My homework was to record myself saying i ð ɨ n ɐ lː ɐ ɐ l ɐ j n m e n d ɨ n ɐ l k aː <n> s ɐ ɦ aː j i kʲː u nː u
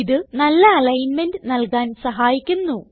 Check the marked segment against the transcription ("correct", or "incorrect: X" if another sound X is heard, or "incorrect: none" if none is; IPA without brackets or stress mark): correct